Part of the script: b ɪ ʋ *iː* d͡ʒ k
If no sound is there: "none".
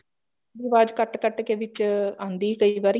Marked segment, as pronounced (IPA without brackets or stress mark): aː